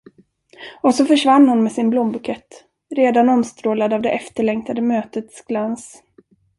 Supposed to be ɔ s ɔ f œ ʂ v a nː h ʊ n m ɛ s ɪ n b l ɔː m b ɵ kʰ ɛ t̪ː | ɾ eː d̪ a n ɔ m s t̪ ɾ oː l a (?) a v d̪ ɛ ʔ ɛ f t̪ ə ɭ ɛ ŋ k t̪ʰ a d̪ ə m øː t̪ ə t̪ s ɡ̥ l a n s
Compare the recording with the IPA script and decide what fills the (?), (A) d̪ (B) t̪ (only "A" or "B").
A